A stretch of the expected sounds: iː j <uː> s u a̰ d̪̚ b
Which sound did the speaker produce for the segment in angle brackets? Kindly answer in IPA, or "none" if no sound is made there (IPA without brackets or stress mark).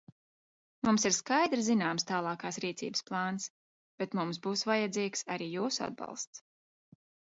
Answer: uː